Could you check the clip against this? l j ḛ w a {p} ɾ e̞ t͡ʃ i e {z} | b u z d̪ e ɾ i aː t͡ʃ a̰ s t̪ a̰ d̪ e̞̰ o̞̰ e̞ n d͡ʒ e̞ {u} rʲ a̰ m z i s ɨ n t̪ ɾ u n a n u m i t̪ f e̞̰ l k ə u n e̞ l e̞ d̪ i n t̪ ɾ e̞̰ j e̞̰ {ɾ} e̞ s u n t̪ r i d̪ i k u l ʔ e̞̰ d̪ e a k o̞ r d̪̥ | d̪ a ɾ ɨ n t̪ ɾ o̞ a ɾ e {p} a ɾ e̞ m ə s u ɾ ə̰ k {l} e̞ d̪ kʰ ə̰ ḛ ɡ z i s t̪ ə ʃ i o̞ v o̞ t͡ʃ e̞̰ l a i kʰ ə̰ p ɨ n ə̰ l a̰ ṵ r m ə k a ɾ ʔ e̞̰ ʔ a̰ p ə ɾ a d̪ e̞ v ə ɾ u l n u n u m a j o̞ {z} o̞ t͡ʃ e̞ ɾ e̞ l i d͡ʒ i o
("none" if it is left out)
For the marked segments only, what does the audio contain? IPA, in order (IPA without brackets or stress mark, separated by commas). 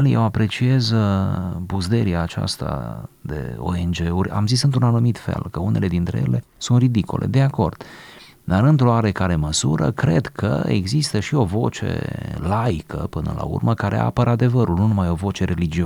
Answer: p, z, u, l, k, ɾ, v